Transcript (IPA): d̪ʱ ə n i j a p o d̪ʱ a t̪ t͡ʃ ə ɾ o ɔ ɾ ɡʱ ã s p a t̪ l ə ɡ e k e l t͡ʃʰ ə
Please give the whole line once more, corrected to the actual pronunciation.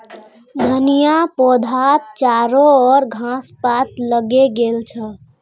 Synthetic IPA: d̪ʱ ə n i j a p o d̪ʱ a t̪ t͡ʃ a ɾ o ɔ ɾ ɡʱ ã s p a t̪ l ə ɡ e ɡ e l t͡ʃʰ ə